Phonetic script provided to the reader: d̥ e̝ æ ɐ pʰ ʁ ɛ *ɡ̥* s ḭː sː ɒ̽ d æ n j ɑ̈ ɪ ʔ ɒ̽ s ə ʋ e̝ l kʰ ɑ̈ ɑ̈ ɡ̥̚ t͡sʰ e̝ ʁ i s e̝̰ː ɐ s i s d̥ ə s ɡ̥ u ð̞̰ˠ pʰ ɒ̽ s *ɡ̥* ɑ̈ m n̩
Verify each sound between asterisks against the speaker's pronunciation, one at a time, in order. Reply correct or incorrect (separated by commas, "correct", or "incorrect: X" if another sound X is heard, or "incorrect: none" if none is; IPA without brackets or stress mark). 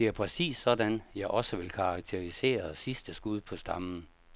incorrect: none, incorrect: d̥